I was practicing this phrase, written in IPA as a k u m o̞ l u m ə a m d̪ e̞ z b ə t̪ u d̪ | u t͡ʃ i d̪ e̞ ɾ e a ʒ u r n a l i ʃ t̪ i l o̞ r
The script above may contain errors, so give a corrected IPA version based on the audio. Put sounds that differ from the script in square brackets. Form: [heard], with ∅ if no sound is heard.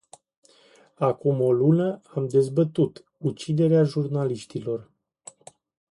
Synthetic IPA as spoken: a k u m o̞ l u [n] ə a m d̪ e̞ z b ə t̪ u [t̪] | u t͡ʃ i d̪ e̞ ɾ e a ʒ u r n a l i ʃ t̪ i l o̞ r